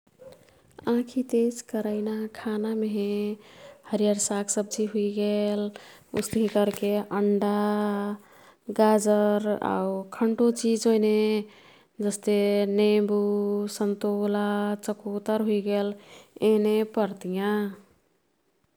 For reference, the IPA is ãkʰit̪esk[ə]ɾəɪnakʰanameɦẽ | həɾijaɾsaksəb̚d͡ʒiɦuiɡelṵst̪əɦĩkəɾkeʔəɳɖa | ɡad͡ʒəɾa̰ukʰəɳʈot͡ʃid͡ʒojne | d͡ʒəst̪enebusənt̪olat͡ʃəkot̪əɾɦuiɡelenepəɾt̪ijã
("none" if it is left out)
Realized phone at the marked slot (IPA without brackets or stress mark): ə